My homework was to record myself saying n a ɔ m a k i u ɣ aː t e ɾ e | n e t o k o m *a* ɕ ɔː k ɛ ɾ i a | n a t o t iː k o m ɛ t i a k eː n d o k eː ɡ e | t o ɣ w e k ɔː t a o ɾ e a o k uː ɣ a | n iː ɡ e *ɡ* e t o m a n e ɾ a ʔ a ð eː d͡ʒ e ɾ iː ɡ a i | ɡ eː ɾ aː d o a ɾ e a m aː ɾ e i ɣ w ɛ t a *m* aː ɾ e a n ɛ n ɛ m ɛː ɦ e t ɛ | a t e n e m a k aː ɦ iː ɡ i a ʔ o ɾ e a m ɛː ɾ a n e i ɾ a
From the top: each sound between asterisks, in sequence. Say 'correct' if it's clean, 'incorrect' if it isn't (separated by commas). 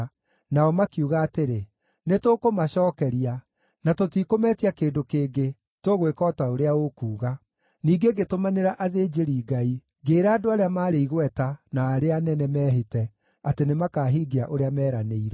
correct, correct, incorrect